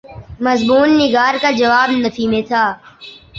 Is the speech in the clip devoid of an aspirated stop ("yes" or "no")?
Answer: no